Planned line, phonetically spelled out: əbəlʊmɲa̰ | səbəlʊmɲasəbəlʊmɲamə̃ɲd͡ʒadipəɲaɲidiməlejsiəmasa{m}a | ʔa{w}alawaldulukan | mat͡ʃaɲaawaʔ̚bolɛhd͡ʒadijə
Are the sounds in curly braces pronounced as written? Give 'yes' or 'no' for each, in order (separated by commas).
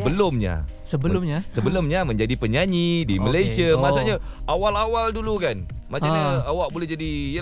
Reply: no, yes